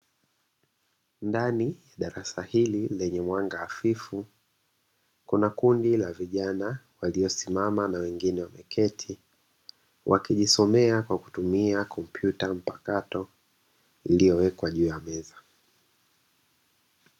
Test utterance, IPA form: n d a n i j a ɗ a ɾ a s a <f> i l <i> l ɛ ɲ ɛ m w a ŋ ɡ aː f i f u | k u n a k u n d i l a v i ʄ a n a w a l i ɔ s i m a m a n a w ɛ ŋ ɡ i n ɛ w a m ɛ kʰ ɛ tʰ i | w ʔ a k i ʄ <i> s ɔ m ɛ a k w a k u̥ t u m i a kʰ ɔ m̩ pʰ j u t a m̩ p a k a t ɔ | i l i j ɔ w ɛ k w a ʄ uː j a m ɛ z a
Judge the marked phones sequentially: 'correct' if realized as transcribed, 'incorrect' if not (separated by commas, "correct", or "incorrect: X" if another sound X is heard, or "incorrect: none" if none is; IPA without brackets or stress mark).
incorrect: h, correct, correct